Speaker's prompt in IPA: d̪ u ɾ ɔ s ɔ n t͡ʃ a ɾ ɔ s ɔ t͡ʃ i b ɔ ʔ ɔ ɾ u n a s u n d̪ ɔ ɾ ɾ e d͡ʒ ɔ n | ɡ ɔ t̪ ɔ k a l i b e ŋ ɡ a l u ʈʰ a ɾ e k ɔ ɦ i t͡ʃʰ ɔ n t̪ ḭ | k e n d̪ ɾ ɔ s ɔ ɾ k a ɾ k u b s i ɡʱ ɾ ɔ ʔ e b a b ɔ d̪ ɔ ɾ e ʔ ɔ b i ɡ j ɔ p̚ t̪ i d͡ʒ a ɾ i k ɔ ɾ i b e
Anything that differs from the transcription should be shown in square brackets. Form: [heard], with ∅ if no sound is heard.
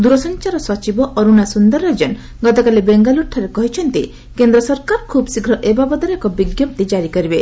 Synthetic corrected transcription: d̪ u ɾ ɔ s ɔ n t͡ʃ a ɾ ɔ s ɔ t͡ʃ i b ɔ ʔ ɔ ɾ u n a s u n d̪ ɔ ɾ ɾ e d͡ʒ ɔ n | ɡ ɔ t̪ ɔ k a l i b e ŋ ɡ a l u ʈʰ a ɾ e k ɔ ɦ i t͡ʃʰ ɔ n t̪ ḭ | k e n d̪ ɾ ɔ s ɔ ɾ k a ɾ [kʰ] u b s i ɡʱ ɾ ɔ ʔ e b a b ɔ d̪ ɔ ɾ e [k] ɔ b i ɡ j ɔ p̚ t̪ i d͡ʒ a ɾ i k ɔ ɾ i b e